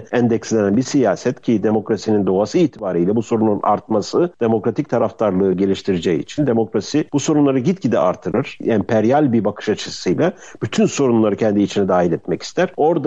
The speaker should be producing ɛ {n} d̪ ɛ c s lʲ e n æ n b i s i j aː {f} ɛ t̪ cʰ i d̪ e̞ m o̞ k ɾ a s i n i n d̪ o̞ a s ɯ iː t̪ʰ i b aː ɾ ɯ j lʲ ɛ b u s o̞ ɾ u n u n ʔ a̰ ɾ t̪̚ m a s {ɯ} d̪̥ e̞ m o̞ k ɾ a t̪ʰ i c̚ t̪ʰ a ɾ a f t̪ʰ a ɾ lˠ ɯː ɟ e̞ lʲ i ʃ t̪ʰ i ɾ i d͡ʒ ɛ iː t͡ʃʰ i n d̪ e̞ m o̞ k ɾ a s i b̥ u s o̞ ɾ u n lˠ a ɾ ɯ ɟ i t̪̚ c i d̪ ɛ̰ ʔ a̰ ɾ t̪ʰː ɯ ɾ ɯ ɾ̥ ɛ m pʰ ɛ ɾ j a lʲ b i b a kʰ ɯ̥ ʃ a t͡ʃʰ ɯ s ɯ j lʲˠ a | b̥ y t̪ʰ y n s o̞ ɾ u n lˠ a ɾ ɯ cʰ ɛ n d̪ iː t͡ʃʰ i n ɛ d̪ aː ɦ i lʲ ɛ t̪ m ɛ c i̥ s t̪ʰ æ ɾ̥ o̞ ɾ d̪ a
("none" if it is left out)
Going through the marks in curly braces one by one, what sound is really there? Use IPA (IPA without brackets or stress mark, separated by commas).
n, s, ɯ